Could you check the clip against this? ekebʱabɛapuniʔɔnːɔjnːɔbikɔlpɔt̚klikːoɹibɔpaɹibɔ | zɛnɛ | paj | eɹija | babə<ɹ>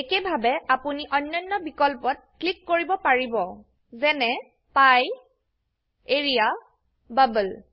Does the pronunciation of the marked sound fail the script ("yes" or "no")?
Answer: yes